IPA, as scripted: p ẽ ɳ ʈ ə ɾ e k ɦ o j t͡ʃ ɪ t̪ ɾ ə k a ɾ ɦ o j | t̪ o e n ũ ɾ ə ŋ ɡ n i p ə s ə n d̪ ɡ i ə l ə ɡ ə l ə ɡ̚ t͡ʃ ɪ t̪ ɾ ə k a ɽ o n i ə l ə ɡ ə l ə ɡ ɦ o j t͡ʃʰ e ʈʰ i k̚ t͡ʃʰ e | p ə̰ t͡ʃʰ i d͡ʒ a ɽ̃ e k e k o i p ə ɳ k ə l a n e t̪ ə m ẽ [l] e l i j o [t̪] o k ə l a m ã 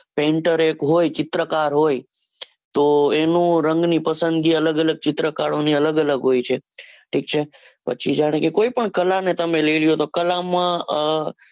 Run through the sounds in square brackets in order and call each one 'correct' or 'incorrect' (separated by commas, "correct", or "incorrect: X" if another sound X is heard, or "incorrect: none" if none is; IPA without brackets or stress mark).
correct, correct